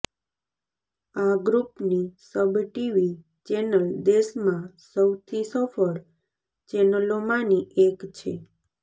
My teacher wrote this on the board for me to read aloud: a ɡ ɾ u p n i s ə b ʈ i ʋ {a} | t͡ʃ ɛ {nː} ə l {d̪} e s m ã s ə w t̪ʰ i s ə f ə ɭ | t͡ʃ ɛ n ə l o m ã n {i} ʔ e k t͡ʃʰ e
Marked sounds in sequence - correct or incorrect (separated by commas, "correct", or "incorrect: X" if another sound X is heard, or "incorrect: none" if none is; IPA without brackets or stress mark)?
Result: incorrect: i, incorrect: n, correct, correct